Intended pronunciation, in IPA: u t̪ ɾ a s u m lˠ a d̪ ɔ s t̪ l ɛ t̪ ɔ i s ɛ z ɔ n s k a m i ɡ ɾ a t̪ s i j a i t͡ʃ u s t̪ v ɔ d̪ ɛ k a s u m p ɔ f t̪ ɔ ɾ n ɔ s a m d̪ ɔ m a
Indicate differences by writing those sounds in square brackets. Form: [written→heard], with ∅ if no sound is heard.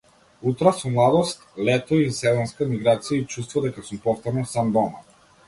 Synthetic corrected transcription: u t̪ ɾ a s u m lˠ a d̪ ɔ s t̪ l ɛ t̪ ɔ i s ɛ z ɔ n s k a m i ɡ ɾ a t̪ s i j a i t͡ʃ u s t̪ v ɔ d̪ ɛ k a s u m p ɔ f t̪ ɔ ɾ n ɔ s a m d̪ ɔ m a